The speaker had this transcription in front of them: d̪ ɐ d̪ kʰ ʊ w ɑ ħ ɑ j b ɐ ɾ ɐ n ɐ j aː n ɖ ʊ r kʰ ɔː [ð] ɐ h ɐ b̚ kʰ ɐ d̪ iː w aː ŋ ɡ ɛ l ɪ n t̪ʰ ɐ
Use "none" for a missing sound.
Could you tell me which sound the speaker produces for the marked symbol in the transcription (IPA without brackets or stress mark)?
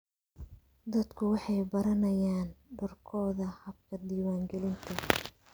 ð